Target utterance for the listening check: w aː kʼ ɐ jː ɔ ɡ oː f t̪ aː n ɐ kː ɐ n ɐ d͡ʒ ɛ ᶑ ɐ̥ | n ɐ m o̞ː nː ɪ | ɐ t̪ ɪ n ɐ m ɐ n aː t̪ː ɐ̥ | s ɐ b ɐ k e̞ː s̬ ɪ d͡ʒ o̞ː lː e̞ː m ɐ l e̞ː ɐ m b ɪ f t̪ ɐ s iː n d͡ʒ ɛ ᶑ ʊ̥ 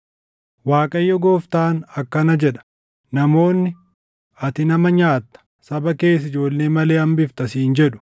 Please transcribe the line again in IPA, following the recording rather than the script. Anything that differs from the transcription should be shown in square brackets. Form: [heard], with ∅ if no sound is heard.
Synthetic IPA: w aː kʼ ɐ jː ɔ ɡ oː f t̪ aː n ɐ kː ɐ n ɐ d͡ʒ ɛ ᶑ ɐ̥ | n ɐ m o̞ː nː ɪ | ɐ t̪ ɪ n ɐ m ɐ [ɲ] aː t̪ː ɐ̥ | s ɐ b ɐ k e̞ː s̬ ɪ d͡ʒ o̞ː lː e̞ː m ɐ l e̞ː ɐ m b ɪ f t̪ ɐ s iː n d͡ʒ ɛ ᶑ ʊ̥

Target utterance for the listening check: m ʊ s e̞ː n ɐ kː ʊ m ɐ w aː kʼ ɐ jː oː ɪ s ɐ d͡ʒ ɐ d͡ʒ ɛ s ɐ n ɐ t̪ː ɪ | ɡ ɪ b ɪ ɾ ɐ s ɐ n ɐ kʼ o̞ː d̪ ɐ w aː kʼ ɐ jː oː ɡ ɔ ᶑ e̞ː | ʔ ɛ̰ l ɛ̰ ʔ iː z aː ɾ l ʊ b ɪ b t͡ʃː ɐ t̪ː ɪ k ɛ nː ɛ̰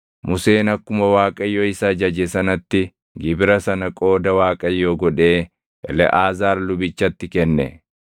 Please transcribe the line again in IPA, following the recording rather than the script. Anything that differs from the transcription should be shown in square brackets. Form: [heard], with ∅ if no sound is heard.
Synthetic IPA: m ʊ s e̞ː n ɐ kː ʊ m ɐ w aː kʼ ɐ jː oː ɪ s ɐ d͡ʒ ɐ d͡ʒ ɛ s ɐ n ɐ t̪ː ɪ | ɡ ɪ b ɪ ɾ ɐ s ɐ n ɐ kʼ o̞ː d̪ ɐ w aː kʼ ɐ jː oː ɡ ɔ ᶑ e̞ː | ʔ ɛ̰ l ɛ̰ ʔ [aː] z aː ɾ l ʊ b ɪ [∅] t͡ʃː ɐ t̪ː ɪ k ɛ nː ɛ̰

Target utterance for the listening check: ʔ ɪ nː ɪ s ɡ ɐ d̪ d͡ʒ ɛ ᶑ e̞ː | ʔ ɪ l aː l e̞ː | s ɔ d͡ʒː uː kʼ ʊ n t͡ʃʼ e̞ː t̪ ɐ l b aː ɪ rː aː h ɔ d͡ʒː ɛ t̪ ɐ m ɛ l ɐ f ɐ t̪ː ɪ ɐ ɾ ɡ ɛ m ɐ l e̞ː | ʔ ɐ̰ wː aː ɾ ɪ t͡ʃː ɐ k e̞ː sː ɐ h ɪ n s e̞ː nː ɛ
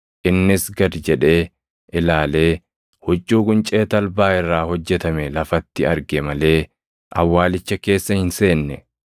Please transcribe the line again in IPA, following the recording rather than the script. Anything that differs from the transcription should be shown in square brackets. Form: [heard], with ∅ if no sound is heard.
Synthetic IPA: ʔ ɪ nː ɪ s ɡ ɐ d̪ d͡ʒ ɛ ᶑ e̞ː | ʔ ɪ l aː l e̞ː | [h] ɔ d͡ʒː uː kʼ ʊ n t͡ʃʼ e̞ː t̪ ɐ l b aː ɪ rː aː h ɔ d͡ʒː ɛ t̪ ɐ m ɛ l ɐ f ɐ t̪ː ɪ ɐ ɾ ɡ ɛ m ɐ l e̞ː | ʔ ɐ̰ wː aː [l] ɪ t͡ʃː ɐ k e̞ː sː ɐ h ɪ n s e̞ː nː ɛ

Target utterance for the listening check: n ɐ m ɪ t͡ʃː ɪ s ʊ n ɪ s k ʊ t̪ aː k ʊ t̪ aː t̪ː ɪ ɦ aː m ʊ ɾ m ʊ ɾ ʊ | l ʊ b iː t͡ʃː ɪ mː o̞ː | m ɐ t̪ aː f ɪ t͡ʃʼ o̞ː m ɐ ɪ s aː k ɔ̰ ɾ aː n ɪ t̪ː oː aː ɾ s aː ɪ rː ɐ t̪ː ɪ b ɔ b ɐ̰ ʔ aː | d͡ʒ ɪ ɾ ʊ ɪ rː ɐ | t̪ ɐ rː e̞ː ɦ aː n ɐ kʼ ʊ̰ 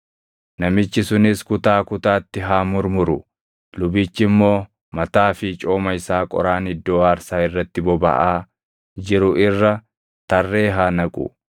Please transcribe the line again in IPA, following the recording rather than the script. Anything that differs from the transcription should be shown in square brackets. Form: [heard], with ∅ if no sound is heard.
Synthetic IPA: n ɐ m ɪ t͡ʃː ɪ s ʊ n ɪ s k ʊ t̪ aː k ʊ t̪ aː t̪ː ɪ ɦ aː m ʊ ɾ m ʊ ɾ ʊ | l ʊ b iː t͡ʃː ɪ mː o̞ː | m ɐ t̪ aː f ɪ t͡ʃʼ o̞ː m ɐ ɪ s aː [kʼ] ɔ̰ ɾ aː n ɪ [d̪ː] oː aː ɾ s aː ɪ rː ɐ t̪ː ɪ b ɔ b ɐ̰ ʔ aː | d͡ʒ ɪ ɾ ʊ ɪ rː ɐ | t̪ ɐ rː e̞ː ɦ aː n ɐ kʼ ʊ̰

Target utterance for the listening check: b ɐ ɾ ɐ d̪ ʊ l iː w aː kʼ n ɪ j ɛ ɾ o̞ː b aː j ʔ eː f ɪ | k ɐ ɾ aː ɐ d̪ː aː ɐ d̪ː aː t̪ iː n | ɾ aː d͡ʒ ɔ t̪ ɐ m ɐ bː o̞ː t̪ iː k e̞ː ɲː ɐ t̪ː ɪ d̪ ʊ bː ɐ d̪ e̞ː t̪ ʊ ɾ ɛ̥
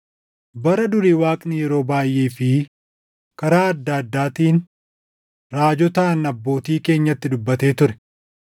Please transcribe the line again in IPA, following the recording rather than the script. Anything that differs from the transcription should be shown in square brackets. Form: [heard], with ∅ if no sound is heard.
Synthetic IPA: b ɐ ɾ ɐ d̪ ʊ [ɾ] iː w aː kʼ n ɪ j ɛ ɾ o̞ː b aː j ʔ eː f ɪ | k ɐ ɾ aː ɐ d̪ː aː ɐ d̪ː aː t̪ iː n | ɾ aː d͡ʒ ɔ t̪ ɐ [n] ɐ bː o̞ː t̪ iː k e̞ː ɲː ɐ t̪ː ɪ d̪ ʊ bː ɐ [t̪] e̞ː t̪ ʊ ɾ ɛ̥

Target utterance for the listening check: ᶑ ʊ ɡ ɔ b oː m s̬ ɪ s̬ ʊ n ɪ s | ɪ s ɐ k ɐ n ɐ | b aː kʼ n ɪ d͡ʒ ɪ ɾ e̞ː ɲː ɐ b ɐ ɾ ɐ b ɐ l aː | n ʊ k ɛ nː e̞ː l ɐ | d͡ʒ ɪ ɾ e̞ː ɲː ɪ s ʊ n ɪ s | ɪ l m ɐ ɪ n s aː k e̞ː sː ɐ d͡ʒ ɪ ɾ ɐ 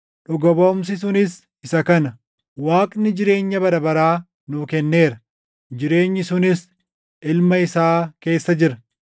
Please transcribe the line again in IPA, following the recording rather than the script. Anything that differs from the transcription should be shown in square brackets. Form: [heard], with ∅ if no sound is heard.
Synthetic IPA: ᶑ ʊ ɡ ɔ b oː m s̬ ɪ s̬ ʊ n ɪ s | ɪ s ɐ k ɐ n ɐ | [w] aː kʼ n ɪ d͡ʒ ɪ ɾ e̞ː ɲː ɐ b ɐ ɾ ɐ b ɐ [ɾ] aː | n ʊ k ɛ nː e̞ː [ɾ] ɐ | d͡ʒ ɪ ɾ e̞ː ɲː ɪ s ʊ n ɪ s | ɪ l m ɐ ɪ [∅] s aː k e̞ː sː ɐ d͡ʒ ɪ ɾ ɐ

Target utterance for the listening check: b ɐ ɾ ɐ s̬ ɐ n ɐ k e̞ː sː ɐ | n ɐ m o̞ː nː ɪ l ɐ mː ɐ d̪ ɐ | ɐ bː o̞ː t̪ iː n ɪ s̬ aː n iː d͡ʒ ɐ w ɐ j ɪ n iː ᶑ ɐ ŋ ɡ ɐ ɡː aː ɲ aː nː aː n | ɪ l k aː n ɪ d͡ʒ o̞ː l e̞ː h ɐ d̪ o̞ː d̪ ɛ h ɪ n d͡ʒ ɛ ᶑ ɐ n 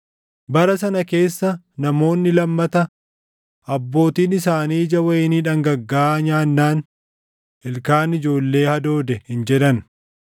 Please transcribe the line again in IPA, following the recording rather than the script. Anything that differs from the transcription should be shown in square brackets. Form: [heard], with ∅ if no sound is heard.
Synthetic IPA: b ɐ ɾ ɐ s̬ ɐ n ɐ k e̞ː sː ɐ | n ɐ m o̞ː nː ɪ l ɐ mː ɐ [t̪] ɐ | ɐ bː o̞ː t̪ iː n ɪ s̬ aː n iː d͡ʒ ɐ w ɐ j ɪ n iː ᶑ ɐ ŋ ɡ ɐ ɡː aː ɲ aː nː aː n | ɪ l k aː n ɪ d͡ʒ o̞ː [lː] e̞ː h ɐ d̪ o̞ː d̪ ɛ h ɪ n d͡ʒ ɛ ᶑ ɐ n

